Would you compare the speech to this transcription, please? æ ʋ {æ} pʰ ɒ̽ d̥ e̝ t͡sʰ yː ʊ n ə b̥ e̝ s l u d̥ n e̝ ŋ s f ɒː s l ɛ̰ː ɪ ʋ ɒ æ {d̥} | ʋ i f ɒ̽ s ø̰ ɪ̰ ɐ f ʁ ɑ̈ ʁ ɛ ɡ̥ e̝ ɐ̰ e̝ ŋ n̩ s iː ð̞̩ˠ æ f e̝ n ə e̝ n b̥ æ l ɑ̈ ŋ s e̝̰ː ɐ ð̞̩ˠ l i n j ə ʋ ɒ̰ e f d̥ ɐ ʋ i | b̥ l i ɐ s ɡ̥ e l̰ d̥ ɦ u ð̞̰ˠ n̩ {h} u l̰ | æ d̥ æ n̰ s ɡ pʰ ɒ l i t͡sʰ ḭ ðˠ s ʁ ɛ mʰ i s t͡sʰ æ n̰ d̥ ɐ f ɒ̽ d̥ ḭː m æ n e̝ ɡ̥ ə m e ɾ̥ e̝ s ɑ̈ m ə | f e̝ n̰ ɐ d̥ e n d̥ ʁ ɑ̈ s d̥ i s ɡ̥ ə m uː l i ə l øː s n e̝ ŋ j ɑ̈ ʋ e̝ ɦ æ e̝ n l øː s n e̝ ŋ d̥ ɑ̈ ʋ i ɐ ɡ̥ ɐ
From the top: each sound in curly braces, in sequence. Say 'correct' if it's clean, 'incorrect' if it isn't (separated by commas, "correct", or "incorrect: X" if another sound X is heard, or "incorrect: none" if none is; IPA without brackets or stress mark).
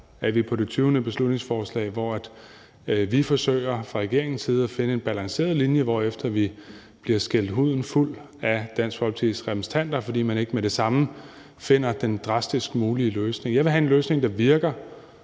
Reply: incorrect: i, correct, incorrect: f